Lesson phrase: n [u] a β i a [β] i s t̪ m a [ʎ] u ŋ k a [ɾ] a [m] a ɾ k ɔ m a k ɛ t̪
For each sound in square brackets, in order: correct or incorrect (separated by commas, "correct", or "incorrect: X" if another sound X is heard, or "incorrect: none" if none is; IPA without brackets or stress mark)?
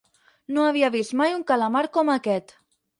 incorrect: o, correct, incorrect: j, incorrect: l, correct